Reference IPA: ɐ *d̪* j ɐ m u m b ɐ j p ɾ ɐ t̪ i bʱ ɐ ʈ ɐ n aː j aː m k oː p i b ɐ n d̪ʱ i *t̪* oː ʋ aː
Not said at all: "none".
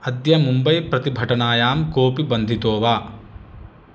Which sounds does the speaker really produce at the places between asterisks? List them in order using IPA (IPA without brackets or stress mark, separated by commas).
d̪, t̪